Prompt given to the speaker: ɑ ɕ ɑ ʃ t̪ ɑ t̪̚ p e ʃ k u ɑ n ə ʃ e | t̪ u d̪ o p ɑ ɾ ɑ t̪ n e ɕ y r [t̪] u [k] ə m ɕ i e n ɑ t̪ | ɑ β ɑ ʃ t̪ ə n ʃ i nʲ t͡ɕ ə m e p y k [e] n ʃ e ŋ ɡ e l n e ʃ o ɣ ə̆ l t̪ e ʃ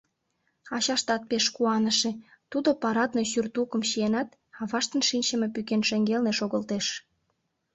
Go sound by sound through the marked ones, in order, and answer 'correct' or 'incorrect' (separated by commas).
correct, correct, correct